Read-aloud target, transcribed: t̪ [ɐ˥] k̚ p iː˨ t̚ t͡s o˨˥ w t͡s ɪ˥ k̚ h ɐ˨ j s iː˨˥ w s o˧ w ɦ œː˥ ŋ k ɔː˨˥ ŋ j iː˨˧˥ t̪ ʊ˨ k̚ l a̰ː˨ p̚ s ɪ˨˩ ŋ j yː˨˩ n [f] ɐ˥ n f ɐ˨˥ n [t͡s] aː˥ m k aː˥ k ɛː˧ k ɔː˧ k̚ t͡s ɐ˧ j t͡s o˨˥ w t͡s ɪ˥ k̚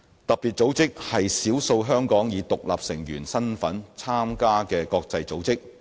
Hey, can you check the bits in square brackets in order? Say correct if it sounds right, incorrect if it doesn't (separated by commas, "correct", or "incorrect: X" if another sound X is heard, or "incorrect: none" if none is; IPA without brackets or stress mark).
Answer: incorrect: ɐ˨, incorrect: s, incorrect: t͡sʰ